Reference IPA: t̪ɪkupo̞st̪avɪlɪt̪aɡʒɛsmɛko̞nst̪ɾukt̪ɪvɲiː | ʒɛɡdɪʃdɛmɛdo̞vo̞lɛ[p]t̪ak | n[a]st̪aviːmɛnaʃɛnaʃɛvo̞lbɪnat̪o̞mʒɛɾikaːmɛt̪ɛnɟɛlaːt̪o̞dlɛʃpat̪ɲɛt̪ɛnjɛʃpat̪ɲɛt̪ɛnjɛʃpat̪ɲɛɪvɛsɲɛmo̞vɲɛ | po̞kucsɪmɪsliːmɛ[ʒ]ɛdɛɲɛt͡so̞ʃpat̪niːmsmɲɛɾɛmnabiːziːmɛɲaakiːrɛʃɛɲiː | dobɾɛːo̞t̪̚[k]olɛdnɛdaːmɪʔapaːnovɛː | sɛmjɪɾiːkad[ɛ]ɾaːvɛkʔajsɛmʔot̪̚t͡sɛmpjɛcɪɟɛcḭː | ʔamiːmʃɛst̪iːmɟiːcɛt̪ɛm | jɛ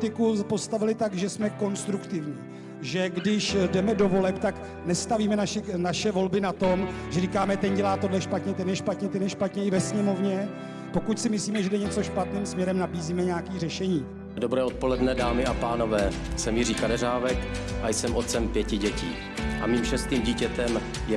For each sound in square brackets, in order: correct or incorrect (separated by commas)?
correct, incorrect, correct, incorrect, correct